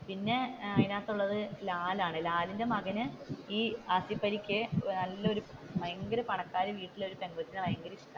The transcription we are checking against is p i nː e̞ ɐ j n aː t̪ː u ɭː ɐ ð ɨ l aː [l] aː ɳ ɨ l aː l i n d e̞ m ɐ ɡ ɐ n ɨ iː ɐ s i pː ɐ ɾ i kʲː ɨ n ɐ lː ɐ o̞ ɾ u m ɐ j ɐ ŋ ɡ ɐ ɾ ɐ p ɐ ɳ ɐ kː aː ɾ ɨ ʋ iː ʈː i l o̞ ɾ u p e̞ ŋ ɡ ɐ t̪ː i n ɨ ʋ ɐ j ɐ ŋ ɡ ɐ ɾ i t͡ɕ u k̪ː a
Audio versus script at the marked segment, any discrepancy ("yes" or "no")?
no